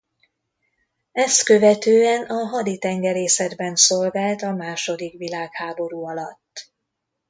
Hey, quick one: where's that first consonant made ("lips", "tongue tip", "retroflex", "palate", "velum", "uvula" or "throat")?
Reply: tongue tip